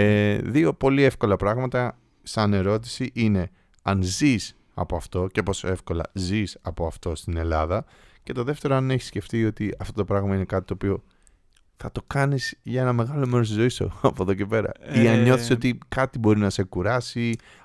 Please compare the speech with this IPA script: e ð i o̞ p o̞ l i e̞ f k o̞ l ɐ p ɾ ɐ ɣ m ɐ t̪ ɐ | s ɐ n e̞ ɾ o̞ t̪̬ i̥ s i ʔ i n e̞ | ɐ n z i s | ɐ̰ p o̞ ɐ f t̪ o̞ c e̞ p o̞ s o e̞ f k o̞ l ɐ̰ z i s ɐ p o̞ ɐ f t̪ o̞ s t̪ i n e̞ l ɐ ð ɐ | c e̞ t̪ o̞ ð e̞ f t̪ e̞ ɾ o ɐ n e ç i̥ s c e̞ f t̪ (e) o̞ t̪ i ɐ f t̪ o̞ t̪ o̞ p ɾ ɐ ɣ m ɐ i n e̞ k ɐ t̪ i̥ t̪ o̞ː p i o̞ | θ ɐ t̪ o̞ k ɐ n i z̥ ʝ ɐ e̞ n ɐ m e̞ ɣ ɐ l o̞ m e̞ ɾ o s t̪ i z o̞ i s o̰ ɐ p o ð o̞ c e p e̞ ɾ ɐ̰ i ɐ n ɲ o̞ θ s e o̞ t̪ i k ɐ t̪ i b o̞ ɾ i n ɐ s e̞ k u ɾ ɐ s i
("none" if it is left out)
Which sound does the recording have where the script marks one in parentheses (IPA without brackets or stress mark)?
i